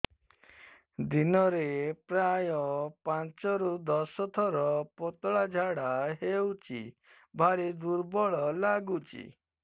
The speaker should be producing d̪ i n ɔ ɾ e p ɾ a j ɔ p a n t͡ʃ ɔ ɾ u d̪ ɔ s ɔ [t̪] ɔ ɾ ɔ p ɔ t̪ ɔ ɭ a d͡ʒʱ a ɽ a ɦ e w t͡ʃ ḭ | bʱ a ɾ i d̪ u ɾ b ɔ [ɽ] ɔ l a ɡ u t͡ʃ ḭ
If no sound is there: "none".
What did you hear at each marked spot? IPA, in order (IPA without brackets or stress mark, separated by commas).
t̪ʰ, ɭ